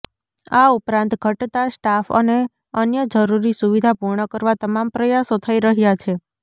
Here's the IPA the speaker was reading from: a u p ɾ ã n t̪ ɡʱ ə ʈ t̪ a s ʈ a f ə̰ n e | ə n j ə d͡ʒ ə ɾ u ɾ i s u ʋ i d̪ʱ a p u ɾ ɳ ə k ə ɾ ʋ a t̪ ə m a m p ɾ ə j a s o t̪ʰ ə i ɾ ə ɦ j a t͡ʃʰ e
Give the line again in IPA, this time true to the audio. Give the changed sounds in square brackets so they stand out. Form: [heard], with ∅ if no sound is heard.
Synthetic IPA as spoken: a u p ɾ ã n t̪ ɡʱ ə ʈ t̪ a s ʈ a f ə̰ n e | ə n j ə d͡ʒ ə ɾ u ɾ i s u ʋ i d̪ʱ a p u ɾ ɳ ə k ə ɾ ʋ a t̪ ə m a m p ɾ ə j a s o t̪ʰ ə i ɾ ə ɦ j a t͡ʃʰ e